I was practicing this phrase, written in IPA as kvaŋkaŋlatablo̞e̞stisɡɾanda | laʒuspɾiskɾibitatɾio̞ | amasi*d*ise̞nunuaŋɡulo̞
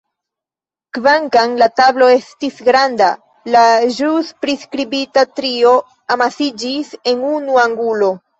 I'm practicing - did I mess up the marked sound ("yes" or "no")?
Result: yes